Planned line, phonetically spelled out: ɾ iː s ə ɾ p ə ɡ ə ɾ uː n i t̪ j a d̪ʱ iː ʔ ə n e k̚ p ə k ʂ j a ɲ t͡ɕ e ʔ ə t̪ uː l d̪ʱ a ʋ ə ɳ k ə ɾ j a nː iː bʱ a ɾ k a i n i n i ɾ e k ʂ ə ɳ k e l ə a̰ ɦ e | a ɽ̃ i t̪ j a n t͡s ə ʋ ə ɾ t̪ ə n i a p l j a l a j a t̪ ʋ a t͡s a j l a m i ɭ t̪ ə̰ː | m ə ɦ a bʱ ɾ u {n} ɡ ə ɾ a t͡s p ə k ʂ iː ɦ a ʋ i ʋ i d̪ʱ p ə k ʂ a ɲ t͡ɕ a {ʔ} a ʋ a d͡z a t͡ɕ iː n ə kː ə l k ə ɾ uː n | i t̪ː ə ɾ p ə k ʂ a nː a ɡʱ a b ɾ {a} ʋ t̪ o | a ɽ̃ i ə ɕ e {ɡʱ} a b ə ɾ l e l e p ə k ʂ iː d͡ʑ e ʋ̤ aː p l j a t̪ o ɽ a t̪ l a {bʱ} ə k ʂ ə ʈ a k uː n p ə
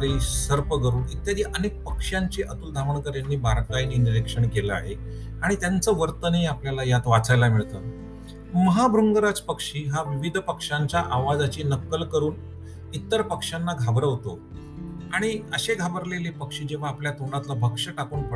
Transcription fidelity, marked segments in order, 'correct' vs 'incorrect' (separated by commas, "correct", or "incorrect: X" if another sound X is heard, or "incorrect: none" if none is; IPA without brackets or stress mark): incorrect: ŋ, correct, incorrect: ə, correct, correct